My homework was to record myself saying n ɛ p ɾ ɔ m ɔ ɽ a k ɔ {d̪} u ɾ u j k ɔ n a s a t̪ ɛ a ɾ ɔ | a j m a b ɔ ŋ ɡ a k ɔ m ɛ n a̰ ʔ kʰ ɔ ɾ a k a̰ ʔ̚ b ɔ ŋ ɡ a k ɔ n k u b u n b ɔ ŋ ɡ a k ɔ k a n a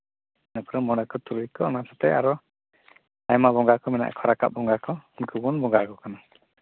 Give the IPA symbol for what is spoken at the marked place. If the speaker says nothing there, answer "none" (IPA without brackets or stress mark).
t̪